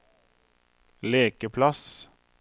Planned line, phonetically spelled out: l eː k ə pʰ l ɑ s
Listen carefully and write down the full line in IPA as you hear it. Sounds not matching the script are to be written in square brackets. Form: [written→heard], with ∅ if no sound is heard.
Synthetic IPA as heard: l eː k ə pʰ l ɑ s